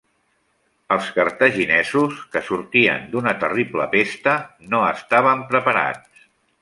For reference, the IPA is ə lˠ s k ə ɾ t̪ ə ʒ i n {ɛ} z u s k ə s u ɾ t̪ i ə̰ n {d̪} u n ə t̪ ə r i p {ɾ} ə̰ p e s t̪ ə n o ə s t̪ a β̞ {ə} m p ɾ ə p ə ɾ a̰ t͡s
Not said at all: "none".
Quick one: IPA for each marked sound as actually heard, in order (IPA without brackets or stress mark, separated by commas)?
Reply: ɛ, d̪, l, ə